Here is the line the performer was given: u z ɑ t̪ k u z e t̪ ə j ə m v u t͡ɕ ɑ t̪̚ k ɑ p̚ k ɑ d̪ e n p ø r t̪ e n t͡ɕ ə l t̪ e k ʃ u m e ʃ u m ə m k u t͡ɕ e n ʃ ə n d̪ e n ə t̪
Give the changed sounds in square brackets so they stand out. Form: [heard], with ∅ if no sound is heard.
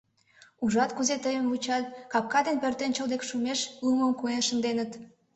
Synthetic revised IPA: u [ʒ] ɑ t̪ k u z e t̪ ə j ə m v u t͡ɕ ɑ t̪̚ k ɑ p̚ k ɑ d̪ e n p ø r t̪ e n t͡ɕ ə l [d̪] e k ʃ u m e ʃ u m ə m k u [∅] e n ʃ ə n d̪ e n ə t̪